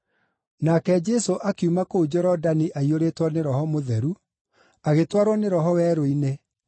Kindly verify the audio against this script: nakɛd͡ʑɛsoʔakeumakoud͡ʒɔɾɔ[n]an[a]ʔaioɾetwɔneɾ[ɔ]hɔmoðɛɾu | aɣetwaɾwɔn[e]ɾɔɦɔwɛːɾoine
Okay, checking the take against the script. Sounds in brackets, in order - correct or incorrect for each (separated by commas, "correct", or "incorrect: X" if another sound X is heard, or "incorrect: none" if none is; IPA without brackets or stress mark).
incorrect: d, incorrect: i, correct, correct